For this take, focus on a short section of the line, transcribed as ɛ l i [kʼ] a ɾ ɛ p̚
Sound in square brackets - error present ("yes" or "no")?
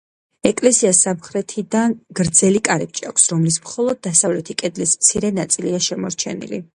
no